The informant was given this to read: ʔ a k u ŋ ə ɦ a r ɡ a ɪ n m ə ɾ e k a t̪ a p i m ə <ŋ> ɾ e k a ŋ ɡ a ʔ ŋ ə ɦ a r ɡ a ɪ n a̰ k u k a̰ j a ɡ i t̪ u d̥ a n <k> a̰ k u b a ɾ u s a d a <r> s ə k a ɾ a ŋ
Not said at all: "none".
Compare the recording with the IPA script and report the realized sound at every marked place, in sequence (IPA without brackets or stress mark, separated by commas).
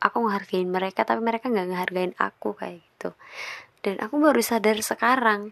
none, ʔ, r